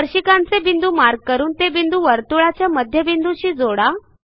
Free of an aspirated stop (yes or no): yes